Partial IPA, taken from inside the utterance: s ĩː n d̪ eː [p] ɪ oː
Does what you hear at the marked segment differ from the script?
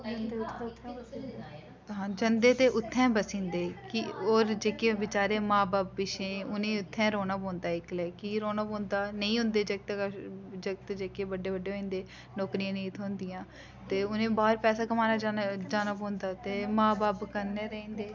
yes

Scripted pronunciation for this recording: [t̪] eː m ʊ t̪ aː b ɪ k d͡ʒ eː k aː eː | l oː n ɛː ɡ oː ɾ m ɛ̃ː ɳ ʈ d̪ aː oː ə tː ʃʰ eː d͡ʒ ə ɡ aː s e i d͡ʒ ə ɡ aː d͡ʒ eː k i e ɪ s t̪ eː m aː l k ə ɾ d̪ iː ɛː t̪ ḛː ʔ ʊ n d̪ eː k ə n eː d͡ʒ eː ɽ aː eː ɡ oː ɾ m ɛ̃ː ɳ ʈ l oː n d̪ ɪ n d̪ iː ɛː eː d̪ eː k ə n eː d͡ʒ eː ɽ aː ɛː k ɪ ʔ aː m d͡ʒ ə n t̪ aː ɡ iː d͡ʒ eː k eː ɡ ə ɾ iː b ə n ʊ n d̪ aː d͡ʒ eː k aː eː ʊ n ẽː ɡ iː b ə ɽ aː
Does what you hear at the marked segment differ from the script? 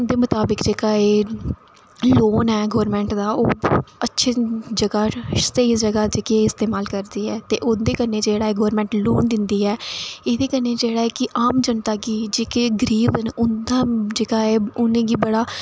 yes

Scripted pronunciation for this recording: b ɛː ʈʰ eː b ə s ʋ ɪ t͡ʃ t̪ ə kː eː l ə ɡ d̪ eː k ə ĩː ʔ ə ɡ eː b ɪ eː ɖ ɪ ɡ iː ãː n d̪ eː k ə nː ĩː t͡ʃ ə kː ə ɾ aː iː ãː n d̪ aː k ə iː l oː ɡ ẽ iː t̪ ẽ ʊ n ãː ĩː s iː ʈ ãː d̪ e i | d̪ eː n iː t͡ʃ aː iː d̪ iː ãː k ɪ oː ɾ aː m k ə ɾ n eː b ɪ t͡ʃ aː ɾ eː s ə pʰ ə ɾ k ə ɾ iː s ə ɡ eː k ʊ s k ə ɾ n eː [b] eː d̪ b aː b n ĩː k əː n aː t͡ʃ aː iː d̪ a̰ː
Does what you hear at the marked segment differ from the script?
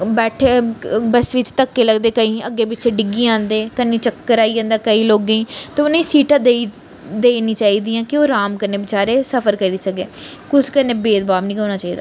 no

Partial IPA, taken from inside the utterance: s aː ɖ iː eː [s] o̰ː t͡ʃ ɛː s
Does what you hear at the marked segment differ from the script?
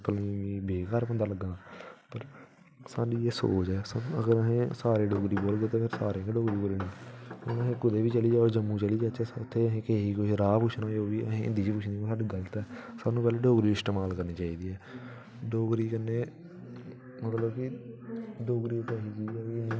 no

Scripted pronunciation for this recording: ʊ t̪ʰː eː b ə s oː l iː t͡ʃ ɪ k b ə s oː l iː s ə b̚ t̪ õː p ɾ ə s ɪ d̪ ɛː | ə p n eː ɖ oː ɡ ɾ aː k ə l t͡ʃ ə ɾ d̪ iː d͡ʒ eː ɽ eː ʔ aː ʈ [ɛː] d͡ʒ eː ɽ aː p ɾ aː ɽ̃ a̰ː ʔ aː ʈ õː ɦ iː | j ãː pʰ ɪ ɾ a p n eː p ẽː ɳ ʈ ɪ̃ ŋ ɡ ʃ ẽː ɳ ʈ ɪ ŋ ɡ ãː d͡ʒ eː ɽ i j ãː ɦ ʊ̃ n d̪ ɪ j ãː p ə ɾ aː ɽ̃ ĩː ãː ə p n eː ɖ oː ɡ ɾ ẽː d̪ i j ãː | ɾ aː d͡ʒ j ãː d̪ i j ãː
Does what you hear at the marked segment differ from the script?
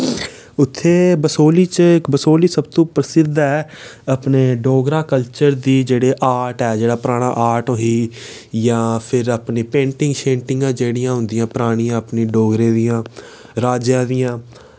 no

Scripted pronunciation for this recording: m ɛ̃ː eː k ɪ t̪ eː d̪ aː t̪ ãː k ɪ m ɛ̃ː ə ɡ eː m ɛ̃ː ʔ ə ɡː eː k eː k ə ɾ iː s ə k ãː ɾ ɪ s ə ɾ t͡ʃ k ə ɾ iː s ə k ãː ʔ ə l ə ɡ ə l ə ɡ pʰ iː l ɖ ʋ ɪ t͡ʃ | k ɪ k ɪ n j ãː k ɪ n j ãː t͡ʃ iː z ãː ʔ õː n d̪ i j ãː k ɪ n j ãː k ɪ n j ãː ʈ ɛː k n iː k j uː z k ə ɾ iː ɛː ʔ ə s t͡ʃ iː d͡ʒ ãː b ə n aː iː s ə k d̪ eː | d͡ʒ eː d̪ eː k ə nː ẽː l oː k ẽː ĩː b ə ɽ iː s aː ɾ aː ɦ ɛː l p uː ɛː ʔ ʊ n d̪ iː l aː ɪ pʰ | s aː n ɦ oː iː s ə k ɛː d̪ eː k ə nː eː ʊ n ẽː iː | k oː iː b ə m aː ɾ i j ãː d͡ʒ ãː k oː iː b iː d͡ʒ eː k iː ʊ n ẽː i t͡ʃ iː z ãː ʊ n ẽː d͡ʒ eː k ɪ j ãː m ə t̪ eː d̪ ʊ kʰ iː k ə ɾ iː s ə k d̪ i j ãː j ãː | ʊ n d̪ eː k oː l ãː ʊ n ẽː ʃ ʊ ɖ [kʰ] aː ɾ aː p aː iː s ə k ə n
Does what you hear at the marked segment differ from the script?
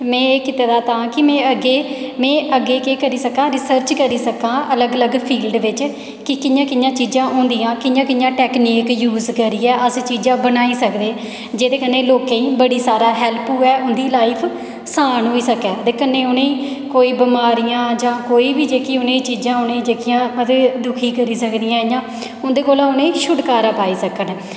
yes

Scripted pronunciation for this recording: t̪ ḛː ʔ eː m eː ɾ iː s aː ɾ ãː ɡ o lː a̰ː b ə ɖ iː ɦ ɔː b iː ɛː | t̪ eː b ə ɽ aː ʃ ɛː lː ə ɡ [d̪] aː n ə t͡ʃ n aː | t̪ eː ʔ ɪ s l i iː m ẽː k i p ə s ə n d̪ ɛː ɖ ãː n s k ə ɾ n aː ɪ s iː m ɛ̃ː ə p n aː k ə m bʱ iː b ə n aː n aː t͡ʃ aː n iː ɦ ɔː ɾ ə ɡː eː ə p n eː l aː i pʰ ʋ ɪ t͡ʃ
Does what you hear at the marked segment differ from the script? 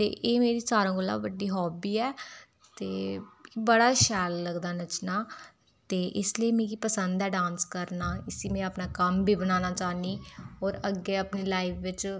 no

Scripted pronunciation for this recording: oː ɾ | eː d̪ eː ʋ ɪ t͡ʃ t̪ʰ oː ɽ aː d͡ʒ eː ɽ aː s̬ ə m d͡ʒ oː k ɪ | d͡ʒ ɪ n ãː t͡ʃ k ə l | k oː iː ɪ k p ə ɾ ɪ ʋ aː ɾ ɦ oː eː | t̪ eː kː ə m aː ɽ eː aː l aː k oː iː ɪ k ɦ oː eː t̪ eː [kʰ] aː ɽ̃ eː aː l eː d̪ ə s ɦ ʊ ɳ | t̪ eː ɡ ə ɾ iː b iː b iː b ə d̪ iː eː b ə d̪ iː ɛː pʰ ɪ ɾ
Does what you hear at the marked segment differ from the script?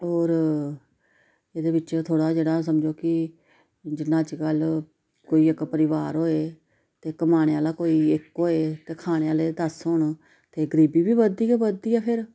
no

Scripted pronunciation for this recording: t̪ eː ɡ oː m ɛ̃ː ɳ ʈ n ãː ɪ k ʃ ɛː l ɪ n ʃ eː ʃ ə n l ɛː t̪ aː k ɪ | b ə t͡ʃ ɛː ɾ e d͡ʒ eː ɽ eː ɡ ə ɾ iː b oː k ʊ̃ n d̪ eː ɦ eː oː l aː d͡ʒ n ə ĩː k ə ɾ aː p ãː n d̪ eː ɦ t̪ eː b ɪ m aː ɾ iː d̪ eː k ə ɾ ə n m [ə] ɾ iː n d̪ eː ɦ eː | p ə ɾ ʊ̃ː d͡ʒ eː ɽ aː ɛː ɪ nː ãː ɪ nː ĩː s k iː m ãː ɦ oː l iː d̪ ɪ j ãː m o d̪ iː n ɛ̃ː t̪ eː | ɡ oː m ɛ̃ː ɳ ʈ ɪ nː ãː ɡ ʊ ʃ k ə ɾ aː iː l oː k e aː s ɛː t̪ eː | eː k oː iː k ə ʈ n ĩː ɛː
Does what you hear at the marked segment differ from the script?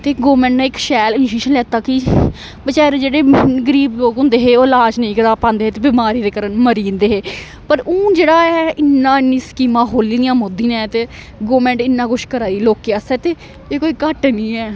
no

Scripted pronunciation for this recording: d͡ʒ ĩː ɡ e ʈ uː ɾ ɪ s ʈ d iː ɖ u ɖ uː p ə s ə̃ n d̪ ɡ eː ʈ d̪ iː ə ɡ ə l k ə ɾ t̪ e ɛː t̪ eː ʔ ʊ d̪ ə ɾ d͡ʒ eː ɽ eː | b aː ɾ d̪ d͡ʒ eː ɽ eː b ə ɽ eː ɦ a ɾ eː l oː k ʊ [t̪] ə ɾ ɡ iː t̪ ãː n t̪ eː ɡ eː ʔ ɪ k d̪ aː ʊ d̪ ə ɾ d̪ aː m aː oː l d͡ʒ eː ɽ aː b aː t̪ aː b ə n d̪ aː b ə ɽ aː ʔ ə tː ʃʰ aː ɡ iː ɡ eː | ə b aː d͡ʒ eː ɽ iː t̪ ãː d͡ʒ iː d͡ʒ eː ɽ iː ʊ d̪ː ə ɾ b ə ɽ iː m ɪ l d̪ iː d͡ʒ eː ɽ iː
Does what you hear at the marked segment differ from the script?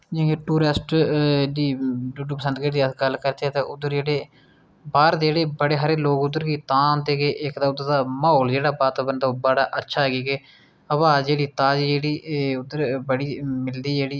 yes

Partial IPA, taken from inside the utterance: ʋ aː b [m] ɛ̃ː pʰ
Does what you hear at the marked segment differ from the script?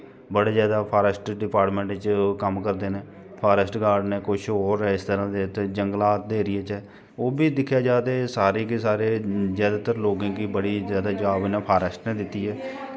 yes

